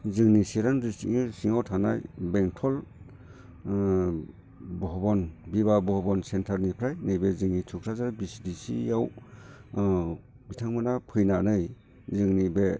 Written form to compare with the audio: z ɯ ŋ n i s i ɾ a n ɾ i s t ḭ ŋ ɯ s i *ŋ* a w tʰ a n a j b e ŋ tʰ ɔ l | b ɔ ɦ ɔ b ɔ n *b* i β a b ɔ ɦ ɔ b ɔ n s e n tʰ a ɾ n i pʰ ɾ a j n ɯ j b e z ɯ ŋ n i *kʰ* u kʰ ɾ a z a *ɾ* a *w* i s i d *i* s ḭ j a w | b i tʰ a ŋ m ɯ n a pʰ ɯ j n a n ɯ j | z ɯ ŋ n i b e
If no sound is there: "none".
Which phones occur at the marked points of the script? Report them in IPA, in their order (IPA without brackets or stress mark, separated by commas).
ŋ, b, tʰ, ɾ, b, i